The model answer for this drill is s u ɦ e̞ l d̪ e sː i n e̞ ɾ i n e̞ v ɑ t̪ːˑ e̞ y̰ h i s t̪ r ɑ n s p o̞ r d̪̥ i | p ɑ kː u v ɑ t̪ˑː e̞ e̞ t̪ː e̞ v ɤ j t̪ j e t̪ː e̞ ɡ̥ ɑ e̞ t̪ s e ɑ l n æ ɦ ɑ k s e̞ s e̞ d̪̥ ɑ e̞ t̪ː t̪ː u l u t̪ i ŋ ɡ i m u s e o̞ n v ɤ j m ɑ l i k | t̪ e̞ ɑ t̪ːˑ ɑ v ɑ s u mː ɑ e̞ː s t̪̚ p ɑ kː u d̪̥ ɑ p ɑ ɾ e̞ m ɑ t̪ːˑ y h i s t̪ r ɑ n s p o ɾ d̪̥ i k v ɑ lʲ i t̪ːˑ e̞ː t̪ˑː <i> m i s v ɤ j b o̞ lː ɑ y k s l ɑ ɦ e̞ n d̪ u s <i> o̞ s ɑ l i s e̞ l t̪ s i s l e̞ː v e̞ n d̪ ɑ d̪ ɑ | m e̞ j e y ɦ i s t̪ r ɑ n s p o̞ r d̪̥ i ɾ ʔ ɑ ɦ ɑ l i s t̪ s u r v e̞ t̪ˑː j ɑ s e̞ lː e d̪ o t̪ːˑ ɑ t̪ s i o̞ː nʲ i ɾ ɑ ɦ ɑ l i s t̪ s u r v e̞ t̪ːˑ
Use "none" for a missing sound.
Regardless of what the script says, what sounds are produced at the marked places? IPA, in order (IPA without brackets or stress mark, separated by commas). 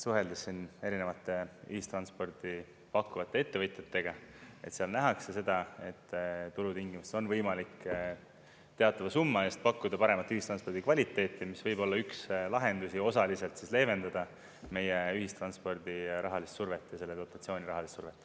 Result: i, i